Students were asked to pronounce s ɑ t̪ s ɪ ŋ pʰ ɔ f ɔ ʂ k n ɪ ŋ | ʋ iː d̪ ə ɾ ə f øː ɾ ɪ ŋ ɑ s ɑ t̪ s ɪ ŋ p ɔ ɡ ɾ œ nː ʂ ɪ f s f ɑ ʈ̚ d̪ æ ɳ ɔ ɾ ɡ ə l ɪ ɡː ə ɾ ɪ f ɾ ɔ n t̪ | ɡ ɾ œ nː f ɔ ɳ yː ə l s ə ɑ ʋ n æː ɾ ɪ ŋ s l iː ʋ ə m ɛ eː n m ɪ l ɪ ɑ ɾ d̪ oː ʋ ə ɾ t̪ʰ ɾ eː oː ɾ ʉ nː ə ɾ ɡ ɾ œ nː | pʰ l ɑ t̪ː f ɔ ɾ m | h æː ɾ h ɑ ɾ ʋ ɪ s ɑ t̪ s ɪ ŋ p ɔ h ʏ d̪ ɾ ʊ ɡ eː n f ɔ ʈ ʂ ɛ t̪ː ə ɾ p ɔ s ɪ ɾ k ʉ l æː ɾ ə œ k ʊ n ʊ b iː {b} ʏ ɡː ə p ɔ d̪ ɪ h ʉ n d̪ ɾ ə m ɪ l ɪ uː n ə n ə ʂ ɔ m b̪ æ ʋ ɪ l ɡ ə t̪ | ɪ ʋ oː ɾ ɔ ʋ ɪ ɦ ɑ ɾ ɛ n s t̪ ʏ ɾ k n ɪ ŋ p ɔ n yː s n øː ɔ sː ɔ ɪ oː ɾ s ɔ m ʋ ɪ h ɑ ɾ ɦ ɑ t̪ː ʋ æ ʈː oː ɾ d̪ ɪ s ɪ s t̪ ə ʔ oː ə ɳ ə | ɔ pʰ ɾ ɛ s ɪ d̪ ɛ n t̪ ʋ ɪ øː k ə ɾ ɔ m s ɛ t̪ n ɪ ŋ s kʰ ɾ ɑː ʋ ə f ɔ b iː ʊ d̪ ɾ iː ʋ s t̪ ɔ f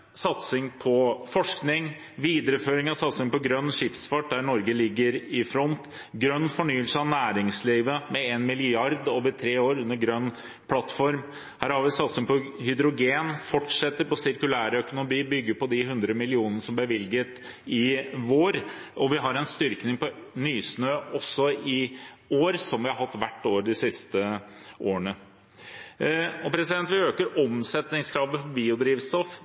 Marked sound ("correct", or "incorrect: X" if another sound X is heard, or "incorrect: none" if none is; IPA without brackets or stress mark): correct